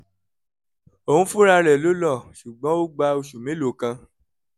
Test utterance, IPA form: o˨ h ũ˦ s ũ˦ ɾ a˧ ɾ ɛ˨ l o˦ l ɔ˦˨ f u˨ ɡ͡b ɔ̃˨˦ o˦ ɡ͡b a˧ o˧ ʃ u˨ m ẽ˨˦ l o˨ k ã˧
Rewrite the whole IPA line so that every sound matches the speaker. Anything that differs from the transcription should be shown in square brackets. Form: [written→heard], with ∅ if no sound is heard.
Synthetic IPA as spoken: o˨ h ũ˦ [s→f] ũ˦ ɾ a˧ ɾ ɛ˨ l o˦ l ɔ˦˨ [f→ʃ] u˨ ɡ͡b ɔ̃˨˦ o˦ ɡ͡b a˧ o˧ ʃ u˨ m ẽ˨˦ l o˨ k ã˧